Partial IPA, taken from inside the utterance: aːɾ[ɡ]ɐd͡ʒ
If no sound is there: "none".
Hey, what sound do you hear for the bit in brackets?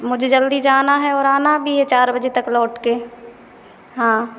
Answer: b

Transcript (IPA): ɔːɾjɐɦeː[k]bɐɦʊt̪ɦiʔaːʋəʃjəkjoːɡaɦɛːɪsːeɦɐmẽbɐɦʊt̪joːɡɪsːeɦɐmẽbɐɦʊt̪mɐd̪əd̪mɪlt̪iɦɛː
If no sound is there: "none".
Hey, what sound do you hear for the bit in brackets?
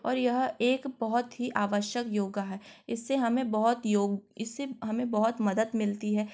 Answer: k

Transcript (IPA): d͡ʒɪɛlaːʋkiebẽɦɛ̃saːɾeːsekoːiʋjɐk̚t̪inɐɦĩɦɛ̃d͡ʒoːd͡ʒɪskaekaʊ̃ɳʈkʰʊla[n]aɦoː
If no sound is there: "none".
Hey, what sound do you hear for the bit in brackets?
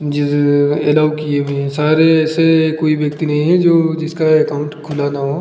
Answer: n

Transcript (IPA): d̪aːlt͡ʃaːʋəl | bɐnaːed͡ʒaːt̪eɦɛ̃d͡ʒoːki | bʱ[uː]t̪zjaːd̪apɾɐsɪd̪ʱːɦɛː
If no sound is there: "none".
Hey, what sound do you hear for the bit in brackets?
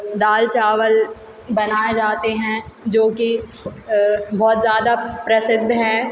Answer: ɔː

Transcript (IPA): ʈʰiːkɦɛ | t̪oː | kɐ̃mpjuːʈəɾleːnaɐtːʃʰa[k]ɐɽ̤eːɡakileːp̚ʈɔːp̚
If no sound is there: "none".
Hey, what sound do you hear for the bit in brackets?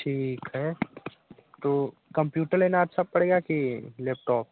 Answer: p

